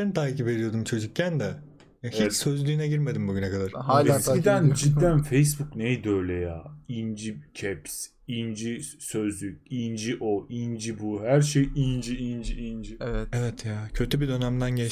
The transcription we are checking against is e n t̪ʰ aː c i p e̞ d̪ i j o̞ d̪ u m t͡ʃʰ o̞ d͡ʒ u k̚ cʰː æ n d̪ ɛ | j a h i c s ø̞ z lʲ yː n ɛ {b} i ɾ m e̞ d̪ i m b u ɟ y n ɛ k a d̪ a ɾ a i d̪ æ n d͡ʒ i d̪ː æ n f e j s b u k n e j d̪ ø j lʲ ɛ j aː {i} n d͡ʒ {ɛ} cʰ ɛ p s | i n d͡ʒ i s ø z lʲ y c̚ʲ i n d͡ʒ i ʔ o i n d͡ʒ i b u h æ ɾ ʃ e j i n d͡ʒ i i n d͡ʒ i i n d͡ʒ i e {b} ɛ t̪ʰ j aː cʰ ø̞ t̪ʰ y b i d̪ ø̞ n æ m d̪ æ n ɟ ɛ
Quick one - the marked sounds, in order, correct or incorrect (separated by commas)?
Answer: incorrect, correct, incorrect, incorrect